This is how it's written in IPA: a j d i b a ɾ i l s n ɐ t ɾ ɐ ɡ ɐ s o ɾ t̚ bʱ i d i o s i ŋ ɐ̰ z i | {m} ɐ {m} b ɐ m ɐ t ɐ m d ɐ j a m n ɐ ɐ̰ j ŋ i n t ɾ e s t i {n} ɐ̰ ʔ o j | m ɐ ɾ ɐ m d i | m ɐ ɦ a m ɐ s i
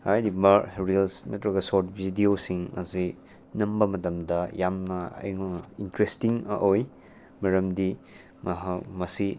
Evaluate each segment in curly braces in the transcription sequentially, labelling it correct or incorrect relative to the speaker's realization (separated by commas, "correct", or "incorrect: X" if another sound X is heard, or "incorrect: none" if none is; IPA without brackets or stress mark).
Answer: incorrect: n, correct, incorrect: ŋ